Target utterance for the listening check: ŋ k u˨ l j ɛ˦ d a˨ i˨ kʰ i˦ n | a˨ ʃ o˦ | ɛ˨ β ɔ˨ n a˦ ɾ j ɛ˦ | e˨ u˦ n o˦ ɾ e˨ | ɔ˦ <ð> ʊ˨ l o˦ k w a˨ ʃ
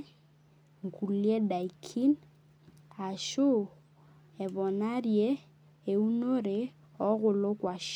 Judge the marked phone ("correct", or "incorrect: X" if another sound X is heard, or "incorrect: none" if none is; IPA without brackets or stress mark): incorrect: ɣ